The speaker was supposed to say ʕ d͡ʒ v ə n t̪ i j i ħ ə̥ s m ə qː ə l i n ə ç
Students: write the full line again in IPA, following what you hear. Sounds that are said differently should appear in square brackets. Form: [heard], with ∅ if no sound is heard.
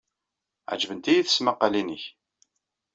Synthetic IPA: ʕ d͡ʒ v ə n t̪ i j i [θ] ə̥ s m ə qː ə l i n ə ç